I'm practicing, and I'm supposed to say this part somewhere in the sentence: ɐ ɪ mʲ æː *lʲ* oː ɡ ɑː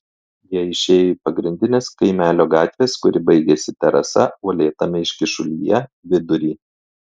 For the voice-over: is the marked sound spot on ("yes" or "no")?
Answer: yes